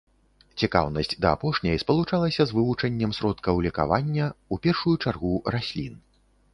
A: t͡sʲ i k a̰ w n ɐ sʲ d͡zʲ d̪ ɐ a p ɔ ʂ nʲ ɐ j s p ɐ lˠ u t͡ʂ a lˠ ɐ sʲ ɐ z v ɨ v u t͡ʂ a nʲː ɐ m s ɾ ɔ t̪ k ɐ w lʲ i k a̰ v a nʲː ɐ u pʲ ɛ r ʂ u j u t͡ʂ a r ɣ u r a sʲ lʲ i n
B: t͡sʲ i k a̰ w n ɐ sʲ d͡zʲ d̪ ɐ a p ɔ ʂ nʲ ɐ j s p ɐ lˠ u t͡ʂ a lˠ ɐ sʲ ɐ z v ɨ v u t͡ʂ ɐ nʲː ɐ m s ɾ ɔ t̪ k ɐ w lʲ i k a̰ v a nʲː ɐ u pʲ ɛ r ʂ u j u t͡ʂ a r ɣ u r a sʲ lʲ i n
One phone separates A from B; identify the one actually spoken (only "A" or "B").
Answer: B